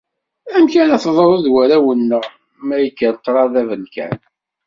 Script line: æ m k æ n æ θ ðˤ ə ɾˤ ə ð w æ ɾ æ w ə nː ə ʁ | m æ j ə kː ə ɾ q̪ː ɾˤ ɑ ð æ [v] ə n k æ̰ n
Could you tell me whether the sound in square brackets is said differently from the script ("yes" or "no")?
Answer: no